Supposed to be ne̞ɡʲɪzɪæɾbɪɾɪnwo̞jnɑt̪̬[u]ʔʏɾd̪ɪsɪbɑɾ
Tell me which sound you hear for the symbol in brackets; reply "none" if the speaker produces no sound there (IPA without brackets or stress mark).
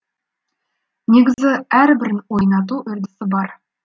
u